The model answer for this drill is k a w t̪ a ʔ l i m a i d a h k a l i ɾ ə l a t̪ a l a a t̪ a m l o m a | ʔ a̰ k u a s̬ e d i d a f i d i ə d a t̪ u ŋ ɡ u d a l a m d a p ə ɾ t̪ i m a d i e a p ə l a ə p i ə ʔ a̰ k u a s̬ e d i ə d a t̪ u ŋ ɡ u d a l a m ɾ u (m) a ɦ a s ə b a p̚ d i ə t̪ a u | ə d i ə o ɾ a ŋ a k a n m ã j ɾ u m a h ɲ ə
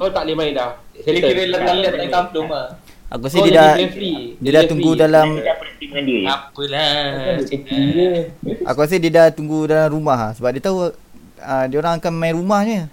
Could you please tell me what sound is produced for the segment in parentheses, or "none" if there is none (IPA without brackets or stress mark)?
m